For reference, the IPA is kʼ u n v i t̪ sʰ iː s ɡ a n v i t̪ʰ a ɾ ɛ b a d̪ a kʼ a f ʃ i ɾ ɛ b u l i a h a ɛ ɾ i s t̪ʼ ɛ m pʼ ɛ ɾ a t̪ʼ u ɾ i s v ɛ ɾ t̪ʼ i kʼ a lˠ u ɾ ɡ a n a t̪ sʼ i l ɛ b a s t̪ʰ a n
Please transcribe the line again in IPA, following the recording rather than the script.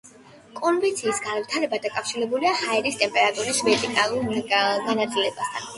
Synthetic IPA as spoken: kʼ ɔ n v i t̪ sʰ iː s ɡ a n v i t̪ʰ a ɾ ɛ b a d̪ a kʼ a f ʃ i ɾ ɛ b u l i a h a ɛ ɾ i s t̪ʼ ɛ m pʼ ɛ ɾ a t̪ʼ u ɾ i s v ɛ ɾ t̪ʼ i kʼ a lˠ u ɾ ɡ a n a t̪ sʼ i l ɛ b a s t̪ʰ a n